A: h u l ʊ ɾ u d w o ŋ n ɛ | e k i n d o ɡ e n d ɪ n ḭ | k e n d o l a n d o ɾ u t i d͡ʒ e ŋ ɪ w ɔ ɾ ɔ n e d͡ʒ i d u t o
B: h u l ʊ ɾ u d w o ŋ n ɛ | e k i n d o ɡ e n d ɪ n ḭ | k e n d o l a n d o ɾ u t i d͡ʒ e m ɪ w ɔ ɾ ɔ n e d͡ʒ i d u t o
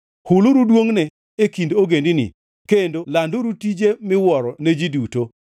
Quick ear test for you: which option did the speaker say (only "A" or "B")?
B